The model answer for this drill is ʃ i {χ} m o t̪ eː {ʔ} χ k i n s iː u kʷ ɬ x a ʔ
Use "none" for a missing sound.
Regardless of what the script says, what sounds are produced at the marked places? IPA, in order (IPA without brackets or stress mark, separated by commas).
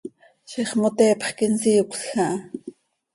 χ, p